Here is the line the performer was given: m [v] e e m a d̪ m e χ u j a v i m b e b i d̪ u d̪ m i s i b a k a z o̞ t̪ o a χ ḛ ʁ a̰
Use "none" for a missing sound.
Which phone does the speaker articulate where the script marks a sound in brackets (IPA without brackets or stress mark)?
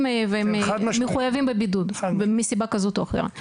v